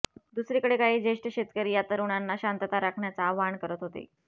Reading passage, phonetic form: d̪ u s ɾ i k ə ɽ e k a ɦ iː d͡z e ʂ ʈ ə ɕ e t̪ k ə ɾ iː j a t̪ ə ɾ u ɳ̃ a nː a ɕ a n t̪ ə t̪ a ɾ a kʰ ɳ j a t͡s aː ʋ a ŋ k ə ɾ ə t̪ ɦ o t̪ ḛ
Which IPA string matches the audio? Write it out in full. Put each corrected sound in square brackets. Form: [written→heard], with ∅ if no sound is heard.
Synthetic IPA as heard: d̪ u s ɾ i k ə ɽ e k a ɦ iː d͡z e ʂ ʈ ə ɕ e t̪ k ə ɾ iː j a t̪ ə ɾ u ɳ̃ a nː a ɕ a n t̪ ə t̪ a ɾ a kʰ ɳ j a t͡s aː ʋ a [ŋ→ɳ] k ə ɾ ə t̪ ɦ o t̪ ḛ